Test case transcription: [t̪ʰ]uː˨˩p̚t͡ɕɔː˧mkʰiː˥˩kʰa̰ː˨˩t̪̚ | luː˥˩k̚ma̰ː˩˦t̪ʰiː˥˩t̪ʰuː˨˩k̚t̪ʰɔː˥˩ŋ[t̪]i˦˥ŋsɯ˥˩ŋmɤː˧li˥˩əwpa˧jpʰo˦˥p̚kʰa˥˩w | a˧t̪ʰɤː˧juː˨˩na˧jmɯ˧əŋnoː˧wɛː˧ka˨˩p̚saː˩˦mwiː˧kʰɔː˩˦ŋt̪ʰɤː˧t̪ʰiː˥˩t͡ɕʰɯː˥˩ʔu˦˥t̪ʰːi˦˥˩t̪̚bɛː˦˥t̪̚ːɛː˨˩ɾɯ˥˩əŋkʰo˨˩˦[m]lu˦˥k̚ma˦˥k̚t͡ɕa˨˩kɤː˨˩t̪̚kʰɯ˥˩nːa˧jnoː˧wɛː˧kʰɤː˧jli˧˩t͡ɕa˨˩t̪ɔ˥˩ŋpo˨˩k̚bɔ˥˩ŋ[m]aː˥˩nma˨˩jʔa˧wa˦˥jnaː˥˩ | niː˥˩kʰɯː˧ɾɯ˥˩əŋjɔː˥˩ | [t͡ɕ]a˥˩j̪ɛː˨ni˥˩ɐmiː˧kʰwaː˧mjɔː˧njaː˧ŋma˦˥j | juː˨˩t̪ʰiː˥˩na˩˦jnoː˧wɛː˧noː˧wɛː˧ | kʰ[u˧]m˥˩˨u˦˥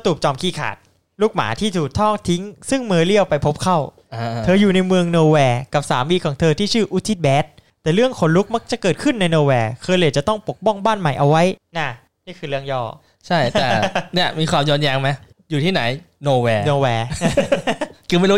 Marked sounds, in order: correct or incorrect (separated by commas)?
incorrect, incorrect, incorrect, incorrect, incorrect, incorrect